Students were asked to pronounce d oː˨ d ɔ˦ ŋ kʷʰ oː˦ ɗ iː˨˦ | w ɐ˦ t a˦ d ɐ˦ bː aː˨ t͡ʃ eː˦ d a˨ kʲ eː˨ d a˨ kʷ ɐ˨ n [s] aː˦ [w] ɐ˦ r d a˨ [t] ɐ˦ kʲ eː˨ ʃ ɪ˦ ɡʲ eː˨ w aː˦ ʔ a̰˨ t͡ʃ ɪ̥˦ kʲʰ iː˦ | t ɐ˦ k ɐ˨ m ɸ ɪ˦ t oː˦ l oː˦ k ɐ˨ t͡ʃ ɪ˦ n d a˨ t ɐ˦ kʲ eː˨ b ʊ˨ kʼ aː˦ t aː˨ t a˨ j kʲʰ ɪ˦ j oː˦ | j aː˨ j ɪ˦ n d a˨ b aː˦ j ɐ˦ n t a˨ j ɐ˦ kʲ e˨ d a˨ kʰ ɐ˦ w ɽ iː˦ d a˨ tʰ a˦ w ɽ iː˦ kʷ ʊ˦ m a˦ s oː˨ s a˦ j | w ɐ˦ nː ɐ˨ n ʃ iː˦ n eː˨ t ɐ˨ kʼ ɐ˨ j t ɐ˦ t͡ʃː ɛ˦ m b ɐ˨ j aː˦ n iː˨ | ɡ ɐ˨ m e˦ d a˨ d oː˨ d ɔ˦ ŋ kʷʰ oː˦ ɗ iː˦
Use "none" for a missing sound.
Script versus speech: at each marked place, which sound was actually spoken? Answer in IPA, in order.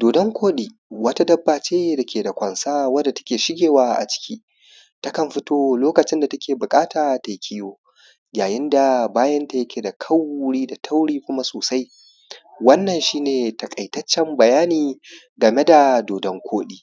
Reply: s, w, t

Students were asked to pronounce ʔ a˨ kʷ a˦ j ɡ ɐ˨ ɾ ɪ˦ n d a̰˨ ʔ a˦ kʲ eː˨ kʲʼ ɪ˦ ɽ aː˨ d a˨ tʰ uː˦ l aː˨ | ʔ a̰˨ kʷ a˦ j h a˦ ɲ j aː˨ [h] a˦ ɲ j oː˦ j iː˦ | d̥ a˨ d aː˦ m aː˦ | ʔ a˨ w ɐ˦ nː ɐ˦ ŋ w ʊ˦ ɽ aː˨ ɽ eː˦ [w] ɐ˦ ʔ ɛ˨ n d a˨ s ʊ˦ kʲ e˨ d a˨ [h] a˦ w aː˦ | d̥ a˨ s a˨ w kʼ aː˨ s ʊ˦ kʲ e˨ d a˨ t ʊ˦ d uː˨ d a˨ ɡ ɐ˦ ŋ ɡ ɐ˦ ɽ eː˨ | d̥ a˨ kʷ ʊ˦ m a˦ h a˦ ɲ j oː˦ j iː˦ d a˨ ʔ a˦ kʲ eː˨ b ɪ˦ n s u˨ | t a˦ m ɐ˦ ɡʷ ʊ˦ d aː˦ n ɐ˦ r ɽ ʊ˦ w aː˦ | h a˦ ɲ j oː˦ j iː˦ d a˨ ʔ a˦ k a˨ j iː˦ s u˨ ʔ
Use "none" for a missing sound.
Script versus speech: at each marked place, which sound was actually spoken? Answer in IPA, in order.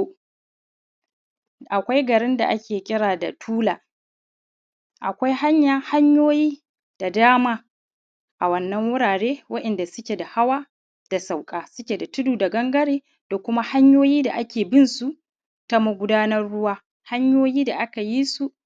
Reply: h, w, h

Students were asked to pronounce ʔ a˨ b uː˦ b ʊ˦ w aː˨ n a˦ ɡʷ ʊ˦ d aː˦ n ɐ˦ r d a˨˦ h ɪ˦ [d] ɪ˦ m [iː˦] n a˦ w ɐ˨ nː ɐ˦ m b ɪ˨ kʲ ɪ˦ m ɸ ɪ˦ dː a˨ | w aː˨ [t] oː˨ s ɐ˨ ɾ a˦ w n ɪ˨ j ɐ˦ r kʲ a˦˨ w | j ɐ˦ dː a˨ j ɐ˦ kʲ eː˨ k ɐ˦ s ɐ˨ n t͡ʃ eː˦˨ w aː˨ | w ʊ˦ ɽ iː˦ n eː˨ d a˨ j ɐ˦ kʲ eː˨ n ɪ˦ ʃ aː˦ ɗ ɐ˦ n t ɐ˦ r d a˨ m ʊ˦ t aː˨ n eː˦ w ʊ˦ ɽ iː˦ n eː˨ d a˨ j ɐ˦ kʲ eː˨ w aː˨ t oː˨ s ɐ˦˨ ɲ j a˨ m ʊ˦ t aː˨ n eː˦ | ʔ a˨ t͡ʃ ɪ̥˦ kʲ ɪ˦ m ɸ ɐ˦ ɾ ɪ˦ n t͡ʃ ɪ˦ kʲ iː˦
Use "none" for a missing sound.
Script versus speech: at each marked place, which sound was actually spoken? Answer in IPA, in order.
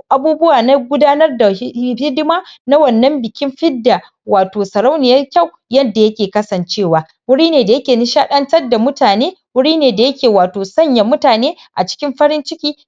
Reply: d, aː˦, t

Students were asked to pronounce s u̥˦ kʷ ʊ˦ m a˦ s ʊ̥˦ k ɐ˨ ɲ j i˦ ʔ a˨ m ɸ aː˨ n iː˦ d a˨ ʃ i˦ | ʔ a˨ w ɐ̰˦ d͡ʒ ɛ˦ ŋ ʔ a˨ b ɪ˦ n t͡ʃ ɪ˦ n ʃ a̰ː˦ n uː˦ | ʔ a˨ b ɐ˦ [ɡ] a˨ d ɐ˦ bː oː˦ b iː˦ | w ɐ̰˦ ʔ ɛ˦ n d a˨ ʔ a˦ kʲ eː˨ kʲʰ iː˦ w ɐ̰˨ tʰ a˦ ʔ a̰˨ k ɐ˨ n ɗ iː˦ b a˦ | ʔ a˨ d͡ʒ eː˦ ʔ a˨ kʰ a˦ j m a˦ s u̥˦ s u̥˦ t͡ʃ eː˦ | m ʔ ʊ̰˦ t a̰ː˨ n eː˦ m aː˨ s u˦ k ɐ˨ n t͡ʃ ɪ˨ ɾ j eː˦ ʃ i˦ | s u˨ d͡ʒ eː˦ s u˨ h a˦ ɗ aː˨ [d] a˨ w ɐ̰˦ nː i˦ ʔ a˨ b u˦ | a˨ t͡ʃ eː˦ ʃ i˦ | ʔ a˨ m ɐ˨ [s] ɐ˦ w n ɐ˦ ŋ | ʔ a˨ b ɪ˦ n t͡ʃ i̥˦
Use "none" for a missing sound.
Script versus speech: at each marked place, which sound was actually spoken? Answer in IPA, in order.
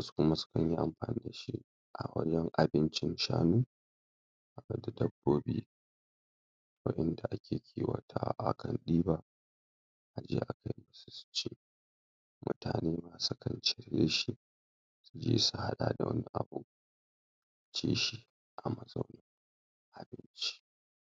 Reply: d, d, z

